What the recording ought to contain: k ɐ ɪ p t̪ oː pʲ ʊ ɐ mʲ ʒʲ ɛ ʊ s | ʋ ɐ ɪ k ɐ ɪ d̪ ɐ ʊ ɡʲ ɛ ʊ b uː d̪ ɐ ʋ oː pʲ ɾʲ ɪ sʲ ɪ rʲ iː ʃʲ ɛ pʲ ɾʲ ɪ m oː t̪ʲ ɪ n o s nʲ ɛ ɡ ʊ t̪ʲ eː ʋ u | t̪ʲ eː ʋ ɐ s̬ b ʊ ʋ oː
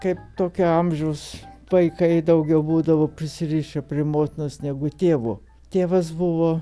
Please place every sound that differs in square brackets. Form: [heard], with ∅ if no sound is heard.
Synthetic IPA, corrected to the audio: k ɐ ɪ p t̪ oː [kʲ] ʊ ɐ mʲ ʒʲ ɛ ʊ s | ʋ ɐ ɪ k ɐ ɪ d̪ ɐ ʊ ɡʲ ɛ ʊ b uː d̪ ɐ ʋ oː pʲ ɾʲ ɪ sʲ ɪ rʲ iː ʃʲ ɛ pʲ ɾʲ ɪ m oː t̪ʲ ɪ n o s nʲ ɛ ɡ ʊ t̪ʲ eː ʋ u | t̪ʲ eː ʋ ɐ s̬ b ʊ ʋ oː